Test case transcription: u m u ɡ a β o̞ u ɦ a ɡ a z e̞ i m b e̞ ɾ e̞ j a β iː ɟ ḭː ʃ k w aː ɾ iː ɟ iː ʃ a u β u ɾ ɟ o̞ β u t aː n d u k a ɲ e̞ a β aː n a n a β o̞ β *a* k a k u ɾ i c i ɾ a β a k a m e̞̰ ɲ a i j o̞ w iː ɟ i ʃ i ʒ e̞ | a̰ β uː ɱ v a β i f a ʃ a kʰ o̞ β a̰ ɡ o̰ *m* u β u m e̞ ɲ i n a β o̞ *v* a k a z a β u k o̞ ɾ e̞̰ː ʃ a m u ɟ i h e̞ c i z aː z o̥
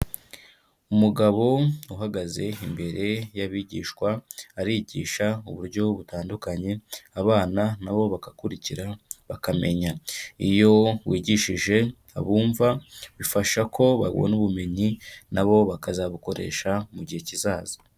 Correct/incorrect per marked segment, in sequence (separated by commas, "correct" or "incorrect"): correct, incorrect, incorrect